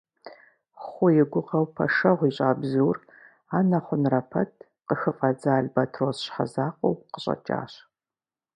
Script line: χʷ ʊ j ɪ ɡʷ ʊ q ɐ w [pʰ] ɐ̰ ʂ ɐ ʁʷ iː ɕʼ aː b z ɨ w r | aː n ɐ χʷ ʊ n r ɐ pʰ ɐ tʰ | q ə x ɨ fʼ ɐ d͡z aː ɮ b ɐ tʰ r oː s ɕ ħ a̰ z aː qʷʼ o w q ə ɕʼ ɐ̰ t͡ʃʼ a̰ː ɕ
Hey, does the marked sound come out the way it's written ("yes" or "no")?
yes